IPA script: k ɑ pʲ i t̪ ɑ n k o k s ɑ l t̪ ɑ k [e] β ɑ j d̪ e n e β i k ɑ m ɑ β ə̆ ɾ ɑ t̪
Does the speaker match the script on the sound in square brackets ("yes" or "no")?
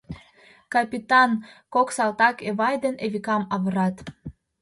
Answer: yes